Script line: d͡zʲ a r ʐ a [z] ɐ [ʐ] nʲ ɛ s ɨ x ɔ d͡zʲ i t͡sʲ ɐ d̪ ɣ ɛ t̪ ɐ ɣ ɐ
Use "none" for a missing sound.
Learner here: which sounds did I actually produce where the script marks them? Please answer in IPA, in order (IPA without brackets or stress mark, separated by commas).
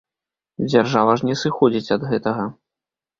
v, ʐ